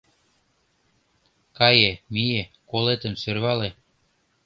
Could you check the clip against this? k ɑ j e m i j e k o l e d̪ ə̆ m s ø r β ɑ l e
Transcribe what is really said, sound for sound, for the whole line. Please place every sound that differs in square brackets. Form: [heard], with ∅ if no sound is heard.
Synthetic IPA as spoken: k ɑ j e m i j e k o l e [t̪] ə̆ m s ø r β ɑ l e